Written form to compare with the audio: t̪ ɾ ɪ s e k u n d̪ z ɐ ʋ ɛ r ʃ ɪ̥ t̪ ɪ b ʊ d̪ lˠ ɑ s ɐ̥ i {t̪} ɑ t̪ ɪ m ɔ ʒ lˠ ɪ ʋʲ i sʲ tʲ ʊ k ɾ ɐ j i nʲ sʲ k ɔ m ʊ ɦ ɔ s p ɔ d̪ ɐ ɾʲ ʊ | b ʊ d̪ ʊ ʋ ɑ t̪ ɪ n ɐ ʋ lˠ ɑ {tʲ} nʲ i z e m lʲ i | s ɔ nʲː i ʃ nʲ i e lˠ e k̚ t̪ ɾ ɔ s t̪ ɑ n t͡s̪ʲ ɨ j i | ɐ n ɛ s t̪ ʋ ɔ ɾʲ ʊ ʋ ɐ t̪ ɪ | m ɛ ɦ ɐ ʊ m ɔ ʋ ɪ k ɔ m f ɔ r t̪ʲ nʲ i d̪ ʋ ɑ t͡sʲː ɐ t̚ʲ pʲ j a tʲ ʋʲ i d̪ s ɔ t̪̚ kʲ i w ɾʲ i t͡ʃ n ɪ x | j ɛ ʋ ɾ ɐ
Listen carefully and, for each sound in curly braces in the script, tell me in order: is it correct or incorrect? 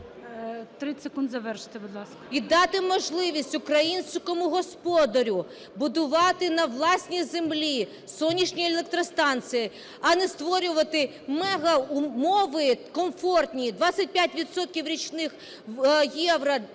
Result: incorrect: d̪, incorrect: sʲ

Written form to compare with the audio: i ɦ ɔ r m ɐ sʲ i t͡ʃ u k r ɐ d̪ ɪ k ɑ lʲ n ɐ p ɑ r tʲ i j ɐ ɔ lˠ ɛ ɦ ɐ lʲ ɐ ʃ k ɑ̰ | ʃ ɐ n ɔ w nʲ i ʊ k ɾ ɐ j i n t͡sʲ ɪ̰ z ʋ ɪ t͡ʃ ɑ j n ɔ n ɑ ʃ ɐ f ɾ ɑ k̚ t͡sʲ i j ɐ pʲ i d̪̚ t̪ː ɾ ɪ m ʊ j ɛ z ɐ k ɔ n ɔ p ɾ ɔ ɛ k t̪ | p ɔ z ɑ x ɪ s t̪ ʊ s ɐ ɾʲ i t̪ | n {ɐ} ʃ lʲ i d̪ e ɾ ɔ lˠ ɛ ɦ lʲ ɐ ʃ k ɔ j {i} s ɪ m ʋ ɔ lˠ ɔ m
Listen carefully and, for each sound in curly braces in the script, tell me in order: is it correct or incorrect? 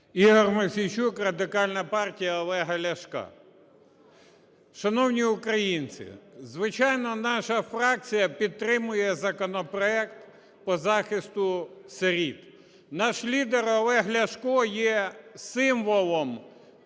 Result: incorrect: ɑ, incorrect: ɛ

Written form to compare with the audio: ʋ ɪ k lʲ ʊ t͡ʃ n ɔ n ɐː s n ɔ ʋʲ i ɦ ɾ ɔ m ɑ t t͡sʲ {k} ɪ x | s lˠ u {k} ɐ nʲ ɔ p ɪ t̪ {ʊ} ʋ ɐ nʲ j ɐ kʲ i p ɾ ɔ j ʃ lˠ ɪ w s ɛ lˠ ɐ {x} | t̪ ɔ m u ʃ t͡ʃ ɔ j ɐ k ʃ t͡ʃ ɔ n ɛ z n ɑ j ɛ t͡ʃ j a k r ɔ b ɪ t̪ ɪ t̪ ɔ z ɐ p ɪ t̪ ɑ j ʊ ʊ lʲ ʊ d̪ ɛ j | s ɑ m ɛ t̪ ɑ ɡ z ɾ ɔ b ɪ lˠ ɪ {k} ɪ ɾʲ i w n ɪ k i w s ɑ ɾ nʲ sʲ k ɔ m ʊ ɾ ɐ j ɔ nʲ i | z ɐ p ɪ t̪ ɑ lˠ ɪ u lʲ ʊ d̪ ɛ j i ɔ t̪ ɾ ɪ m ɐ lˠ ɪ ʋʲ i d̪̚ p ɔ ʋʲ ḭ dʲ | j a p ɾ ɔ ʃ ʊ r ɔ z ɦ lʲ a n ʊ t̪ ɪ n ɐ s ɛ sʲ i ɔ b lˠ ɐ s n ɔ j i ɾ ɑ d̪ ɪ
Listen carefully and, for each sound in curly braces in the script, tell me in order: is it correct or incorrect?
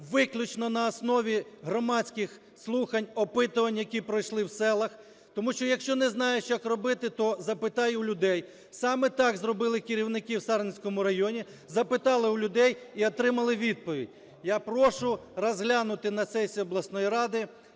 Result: correct, incorrect: x, correct, correct, correct

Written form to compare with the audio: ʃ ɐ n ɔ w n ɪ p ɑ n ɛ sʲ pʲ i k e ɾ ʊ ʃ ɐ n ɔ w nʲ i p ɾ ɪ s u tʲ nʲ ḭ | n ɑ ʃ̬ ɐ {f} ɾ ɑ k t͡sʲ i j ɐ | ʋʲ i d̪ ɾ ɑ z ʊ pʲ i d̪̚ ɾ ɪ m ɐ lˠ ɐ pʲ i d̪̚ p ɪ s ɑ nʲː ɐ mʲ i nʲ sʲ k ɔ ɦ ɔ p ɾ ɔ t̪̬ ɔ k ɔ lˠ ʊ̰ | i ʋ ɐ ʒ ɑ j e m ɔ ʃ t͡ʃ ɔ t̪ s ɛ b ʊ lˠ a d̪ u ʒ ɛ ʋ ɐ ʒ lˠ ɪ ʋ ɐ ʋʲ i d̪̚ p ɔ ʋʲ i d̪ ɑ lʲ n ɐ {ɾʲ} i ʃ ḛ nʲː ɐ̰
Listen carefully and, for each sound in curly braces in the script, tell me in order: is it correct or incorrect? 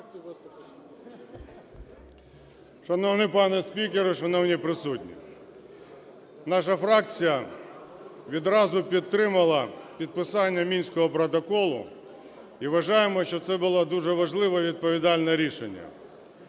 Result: correct, correct

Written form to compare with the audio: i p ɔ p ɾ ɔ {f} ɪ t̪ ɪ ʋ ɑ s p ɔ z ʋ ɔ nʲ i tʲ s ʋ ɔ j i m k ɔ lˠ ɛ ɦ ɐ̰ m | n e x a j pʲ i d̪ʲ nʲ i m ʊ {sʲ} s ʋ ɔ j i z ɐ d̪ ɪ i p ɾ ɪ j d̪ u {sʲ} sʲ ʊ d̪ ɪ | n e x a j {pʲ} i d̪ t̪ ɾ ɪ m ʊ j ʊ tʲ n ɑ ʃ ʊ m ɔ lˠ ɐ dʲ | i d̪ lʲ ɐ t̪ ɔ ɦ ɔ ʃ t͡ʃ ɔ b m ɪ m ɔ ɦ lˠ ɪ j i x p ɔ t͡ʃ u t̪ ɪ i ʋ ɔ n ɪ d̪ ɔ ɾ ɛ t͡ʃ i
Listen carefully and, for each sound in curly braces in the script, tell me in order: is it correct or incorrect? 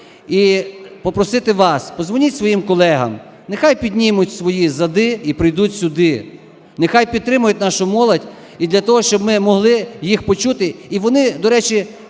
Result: incorrect: s, incorrect: tʲ, incorrect: tʲ, correct

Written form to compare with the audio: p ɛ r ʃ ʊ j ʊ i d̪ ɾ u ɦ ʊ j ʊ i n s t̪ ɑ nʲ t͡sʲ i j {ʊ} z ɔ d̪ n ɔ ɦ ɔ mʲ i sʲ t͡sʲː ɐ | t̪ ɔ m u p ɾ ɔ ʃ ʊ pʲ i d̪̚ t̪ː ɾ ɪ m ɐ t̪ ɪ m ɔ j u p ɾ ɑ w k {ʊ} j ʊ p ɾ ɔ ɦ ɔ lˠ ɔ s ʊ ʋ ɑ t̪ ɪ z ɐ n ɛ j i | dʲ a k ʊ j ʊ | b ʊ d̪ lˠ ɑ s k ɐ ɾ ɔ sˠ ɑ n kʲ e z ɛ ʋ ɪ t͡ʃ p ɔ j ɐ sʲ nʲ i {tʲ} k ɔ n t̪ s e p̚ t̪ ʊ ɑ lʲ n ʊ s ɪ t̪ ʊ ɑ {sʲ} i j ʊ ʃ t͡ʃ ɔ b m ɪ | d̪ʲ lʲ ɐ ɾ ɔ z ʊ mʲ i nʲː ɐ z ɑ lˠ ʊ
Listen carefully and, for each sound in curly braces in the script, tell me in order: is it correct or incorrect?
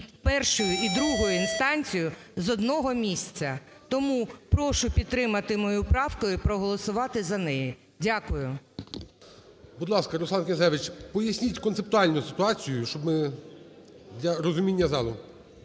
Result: correct, correct, correct, incorrect: t͡sʲ

